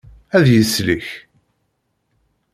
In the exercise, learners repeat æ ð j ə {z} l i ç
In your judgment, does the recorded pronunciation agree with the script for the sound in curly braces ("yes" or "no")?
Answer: no